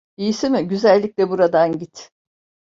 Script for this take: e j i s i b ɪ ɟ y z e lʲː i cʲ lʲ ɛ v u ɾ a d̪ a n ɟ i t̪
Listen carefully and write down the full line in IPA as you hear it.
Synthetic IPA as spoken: i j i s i m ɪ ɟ y z æ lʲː i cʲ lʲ ɛ b u ɾ a d̪ a n ɟ i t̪